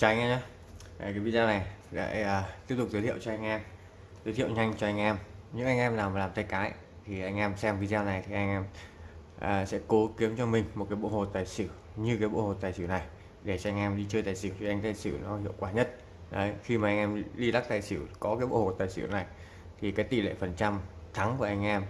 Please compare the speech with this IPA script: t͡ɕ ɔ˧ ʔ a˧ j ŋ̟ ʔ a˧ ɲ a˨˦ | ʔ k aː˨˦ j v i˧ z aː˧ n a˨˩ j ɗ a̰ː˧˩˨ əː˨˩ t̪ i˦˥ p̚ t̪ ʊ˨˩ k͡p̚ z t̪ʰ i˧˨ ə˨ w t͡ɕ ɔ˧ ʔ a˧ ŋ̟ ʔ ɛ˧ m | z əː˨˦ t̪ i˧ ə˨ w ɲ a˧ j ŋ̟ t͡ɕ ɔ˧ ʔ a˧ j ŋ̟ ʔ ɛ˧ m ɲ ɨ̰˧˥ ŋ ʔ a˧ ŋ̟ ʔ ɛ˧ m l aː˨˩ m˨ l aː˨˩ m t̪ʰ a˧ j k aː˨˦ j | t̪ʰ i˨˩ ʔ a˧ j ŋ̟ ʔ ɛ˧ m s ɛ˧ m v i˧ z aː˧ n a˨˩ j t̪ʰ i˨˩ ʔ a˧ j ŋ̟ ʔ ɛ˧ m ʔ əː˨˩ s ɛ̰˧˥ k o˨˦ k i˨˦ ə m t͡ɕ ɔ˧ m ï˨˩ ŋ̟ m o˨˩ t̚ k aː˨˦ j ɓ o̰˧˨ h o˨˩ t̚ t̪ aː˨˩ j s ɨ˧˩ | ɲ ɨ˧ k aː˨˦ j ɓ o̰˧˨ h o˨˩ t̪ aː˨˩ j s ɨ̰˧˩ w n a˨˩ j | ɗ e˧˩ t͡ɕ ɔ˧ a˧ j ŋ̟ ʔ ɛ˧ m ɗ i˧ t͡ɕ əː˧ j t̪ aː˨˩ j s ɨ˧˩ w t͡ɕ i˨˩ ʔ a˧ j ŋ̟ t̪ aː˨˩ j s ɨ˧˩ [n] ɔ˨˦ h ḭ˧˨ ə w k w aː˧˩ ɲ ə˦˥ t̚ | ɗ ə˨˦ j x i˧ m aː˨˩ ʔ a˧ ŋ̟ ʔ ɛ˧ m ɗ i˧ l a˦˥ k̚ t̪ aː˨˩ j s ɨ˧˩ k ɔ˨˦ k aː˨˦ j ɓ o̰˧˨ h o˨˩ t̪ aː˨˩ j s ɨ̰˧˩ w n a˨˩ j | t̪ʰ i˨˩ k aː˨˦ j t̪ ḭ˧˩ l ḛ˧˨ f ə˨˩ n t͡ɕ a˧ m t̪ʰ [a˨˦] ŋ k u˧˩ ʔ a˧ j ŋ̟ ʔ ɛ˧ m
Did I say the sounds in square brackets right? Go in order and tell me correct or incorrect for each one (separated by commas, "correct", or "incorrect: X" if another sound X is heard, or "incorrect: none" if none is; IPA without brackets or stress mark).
correct, correct